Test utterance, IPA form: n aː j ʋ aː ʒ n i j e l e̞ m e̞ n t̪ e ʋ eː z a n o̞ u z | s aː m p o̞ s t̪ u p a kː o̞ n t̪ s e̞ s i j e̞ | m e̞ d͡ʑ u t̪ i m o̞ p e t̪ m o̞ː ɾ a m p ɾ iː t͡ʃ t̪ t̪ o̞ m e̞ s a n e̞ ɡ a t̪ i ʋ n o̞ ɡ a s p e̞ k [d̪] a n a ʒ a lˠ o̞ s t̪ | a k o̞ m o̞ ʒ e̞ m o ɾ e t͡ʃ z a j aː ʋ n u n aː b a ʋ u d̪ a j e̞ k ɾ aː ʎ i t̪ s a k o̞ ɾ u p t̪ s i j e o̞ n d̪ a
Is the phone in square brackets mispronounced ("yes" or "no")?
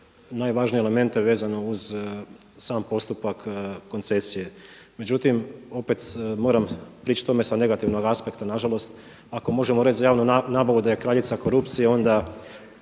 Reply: yes